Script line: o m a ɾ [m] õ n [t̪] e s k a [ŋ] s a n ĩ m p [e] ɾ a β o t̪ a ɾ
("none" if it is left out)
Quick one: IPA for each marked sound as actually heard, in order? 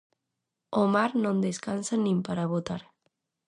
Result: n, d̪, n, a

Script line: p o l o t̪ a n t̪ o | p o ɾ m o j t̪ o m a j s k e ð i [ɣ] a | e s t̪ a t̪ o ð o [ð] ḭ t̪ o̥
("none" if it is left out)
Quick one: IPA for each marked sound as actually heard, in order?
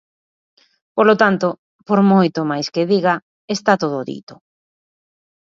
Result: ɣ, ð

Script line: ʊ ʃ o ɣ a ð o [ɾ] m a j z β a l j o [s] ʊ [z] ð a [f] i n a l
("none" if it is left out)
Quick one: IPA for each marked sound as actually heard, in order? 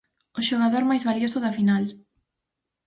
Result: ɾ, s, none, f

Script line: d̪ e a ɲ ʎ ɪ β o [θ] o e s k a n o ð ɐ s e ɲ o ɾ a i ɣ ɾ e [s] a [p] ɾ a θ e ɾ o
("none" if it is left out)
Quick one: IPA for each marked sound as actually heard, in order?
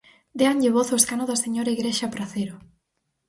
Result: θ, ʃ, p

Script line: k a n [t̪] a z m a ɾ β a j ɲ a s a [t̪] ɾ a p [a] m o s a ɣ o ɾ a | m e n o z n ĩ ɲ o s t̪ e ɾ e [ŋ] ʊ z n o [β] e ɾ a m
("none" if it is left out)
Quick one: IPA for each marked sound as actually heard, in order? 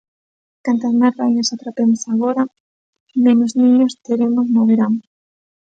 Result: t̪, t̪, e, m, β

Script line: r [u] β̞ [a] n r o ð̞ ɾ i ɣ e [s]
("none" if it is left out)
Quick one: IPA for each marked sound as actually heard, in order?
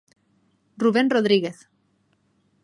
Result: u, e, θ

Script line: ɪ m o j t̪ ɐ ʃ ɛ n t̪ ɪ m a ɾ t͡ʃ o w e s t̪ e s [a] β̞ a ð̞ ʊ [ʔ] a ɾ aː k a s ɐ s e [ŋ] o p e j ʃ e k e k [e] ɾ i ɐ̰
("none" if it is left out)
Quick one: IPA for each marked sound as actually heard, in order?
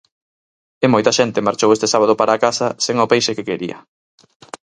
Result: a, p, ŋ, e

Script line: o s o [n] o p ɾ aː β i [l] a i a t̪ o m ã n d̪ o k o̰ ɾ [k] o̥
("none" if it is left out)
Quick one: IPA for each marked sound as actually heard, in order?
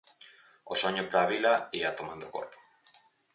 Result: ɲ, l, p

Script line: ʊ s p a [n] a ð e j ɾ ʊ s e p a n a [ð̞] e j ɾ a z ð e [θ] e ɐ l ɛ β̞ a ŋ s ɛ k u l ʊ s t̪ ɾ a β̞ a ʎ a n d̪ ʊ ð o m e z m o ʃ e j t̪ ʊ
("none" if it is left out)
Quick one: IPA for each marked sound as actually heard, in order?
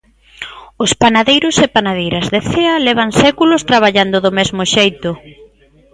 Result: n, ð̞, θ

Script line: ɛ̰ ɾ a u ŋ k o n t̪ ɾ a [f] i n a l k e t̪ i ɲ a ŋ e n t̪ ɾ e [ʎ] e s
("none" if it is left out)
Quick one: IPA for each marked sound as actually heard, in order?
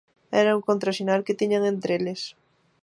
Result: ʃ, l

